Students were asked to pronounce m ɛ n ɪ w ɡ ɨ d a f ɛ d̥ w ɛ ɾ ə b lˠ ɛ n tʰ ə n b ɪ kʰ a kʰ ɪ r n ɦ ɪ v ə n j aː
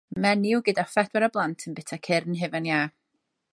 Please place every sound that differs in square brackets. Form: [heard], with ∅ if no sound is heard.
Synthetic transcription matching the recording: m ɛ n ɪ w ɡ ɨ d a f ɛ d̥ w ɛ ɾ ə b lˠ [a] n tʰ ə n b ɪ [tʰ] a kʰ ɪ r n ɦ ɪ v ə n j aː

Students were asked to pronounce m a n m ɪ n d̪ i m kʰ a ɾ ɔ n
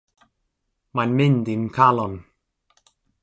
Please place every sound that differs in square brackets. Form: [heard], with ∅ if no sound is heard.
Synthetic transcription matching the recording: m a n m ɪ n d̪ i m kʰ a [l] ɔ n

